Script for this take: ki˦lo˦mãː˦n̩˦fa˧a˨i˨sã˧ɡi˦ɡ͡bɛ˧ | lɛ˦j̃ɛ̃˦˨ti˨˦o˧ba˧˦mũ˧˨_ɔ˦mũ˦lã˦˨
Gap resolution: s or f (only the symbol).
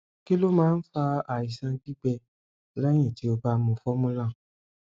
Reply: f